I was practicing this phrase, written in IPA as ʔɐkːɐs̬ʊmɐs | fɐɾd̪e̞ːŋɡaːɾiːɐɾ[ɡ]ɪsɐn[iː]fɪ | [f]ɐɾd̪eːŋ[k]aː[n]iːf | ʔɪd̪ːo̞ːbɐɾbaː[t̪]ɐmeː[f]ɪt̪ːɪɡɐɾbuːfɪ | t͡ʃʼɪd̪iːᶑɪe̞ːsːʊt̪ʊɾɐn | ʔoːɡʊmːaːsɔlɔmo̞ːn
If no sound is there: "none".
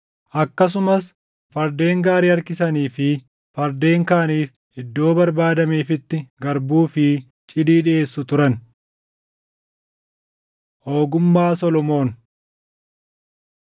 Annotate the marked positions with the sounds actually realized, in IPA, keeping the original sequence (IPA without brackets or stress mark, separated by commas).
k, iː, f, k, n, d̪, f